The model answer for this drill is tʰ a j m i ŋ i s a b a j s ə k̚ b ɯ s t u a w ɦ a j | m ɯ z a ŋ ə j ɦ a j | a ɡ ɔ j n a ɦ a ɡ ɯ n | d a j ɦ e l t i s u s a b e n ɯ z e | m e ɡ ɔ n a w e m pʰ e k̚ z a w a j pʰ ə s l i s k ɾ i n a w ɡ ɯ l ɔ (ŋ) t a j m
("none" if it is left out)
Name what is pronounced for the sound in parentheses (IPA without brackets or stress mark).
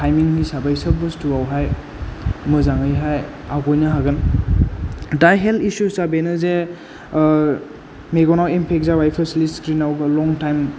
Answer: ŋ